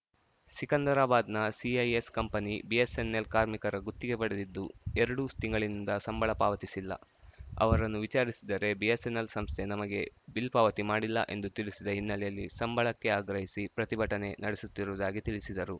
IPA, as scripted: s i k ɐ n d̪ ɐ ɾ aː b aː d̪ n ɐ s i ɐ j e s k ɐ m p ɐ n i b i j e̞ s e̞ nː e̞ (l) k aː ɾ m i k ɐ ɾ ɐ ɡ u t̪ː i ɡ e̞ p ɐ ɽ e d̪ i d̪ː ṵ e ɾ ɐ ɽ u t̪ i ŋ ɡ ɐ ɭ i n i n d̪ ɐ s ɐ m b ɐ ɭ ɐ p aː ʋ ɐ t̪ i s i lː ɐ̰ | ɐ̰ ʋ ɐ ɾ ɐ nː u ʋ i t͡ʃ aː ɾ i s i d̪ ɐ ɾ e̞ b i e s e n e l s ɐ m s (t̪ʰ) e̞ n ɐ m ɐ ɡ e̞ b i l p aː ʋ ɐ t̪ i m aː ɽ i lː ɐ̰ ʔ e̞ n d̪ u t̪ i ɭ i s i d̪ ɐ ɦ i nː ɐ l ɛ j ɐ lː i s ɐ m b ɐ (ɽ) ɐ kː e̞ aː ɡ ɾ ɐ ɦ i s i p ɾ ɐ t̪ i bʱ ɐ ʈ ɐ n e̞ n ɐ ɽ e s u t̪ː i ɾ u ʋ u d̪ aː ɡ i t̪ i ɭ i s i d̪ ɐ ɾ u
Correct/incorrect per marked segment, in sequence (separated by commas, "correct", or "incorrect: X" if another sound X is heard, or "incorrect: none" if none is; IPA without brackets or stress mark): correct, correct, incorrect: ɭ